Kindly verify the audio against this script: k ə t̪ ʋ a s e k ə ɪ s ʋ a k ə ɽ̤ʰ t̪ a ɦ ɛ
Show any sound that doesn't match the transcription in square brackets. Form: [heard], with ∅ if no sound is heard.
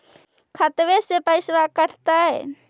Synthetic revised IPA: [kʰ] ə t̪ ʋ [e] s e [p] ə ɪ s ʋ a k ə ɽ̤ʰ t̪ a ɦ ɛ